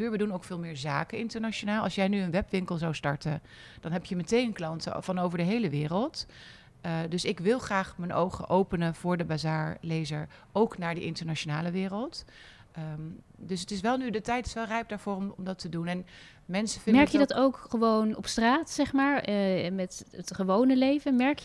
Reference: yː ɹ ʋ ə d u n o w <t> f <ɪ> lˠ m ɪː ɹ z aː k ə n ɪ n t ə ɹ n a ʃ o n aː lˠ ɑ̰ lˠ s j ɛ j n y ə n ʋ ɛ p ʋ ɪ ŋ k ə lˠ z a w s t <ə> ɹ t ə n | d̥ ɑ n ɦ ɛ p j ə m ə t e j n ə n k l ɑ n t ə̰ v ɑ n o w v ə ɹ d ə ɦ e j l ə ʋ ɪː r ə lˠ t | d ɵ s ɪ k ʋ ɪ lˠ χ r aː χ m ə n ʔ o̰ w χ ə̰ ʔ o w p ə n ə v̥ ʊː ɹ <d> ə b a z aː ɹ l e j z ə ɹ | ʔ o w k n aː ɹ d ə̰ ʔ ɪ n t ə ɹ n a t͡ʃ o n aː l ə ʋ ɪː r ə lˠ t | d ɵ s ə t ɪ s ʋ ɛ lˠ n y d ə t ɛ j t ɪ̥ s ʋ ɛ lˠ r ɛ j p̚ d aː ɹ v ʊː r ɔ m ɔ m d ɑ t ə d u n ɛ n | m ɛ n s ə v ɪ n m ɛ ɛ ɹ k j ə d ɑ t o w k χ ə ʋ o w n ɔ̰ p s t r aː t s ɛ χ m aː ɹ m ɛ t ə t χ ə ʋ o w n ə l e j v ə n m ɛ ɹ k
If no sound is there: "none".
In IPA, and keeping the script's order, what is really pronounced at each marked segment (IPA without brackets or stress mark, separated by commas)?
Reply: k, ɪː, ɑ, d